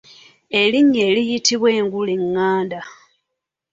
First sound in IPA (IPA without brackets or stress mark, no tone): e̞